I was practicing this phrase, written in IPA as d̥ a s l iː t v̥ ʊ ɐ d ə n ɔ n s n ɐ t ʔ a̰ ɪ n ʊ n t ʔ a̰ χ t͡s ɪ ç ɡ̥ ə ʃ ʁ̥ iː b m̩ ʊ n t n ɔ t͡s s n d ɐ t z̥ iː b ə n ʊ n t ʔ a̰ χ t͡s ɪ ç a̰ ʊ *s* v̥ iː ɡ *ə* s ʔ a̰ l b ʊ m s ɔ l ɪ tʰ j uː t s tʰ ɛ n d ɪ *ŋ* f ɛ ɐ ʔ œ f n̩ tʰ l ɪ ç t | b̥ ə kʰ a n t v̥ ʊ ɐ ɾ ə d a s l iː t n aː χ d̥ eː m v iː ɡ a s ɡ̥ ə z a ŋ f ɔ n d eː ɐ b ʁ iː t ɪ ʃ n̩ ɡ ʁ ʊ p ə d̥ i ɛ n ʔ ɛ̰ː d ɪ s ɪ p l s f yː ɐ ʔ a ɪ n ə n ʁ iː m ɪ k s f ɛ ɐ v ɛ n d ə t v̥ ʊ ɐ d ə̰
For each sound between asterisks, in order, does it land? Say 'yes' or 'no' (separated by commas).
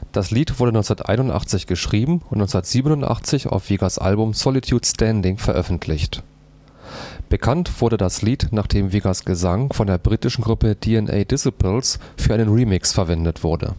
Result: no, no, yes